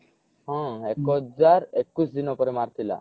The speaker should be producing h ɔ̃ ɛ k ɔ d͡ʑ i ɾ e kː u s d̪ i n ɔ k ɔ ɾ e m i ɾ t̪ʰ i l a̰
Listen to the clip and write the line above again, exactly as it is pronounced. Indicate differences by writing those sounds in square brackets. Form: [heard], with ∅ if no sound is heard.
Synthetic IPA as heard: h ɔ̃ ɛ k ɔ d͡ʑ [a] ɾ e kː u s d̪ i n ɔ [p] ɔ ɾ e m [a] ɾ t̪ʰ i l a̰